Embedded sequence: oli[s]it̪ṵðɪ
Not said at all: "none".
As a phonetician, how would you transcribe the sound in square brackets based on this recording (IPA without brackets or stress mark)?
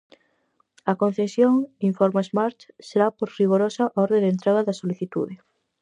θ